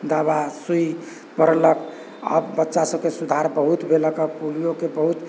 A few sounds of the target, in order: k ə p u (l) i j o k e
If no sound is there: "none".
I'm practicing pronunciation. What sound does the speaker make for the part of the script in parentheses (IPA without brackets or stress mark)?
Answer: l